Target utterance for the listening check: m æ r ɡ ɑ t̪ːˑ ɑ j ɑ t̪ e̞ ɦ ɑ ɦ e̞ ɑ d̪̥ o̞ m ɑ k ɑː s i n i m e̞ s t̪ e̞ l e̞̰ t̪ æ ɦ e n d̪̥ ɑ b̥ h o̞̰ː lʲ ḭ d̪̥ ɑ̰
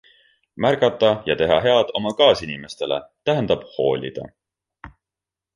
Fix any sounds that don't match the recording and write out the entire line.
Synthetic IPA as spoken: m æ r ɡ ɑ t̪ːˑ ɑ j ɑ t̪ e̞ ɦ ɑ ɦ e̞ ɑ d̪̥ o̞ m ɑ k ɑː s i n i m e̞ s t̪ e̞ l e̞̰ t̪ æ ɦ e n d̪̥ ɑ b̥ h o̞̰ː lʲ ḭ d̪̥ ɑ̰